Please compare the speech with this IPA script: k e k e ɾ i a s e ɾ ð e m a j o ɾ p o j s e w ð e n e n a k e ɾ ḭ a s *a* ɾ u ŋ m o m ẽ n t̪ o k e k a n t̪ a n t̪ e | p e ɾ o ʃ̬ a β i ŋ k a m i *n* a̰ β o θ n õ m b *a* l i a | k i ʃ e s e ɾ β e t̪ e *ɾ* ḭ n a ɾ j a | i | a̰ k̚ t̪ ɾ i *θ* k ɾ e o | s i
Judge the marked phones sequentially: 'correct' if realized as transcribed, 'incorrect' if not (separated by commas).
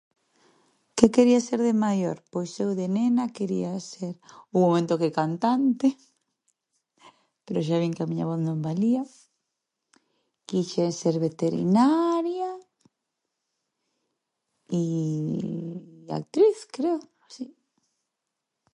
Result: incorrect, incorrect, correct, correct, correct